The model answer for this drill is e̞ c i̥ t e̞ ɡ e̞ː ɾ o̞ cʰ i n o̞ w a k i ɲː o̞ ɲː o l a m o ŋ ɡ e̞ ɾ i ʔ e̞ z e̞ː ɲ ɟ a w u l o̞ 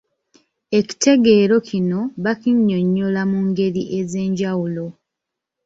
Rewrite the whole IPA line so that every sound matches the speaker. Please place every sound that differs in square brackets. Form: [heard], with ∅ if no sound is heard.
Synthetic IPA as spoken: e̞ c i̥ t e̞ ɡ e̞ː ɾ o̞ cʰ i n o̞ [β] a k i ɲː o̞ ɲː o l a m [u] ŋ ɡ e̞ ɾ i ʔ e̞ z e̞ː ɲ ɟ a w u l o̞